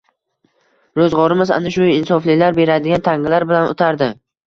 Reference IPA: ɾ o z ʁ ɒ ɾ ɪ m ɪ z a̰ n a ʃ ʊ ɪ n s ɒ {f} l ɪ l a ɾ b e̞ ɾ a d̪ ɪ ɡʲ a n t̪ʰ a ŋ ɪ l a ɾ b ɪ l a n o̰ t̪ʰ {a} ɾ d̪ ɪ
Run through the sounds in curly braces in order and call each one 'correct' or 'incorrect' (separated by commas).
correct, correct